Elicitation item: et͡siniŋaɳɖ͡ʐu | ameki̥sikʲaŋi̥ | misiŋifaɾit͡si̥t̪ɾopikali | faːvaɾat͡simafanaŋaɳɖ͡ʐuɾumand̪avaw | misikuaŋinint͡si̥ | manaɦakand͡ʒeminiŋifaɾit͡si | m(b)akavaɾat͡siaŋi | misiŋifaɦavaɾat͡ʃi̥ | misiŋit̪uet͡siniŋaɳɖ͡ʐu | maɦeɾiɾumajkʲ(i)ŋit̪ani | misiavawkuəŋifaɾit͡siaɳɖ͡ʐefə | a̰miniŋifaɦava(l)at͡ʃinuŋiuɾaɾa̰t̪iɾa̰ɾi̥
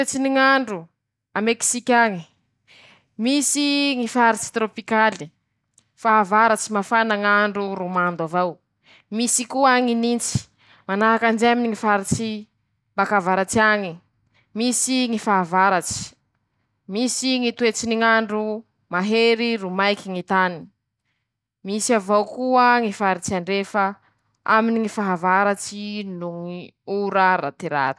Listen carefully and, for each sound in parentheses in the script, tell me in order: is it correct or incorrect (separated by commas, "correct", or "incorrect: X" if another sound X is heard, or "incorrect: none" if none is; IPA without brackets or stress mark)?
correct, correct, incorrect: ɾ